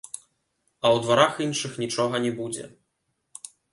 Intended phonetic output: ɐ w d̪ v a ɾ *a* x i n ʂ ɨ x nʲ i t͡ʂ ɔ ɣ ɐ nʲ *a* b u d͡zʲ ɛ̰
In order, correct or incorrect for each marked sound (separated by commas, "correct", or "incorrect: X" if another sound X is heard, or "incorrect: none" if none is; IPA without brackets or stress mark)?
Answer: correct, incorrect: ɛ